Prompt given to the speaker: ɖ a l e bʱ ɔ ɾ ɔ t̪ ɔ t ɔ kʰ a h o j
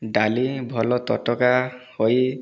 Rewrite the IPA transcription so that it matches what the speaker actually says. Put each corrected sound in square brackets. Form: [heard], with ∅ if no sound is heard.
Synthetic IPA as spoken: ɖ a l [i] bʱ ɔ [l] ɔ t̪ ɔ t ɔ [k] a h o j